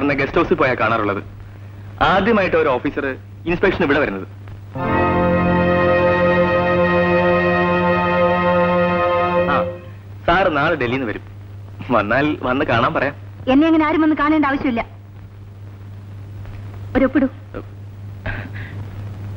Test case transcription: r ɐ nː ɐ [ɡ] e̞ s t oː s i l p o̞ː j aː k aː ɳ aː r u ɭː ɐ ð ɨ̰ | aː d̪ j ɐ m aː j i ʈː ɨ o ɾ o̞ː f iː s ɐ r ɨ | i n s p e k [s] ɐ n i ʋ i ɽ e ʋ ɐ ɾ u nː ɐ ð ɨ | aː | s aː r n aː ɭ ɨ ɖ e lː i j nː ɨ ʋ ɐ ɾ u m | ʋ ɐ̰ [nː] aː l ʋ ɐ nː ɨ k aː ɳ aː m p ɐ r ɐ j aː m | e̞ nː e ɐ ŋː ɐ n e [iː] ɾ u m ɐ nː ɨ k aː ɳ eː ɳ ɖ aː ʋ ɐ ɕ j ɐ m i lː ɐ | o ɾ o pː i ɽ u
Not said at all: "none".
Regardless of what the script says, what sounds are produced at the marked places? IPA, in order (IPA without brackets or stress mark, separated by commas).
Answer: ɡ, ʂ, nː, aː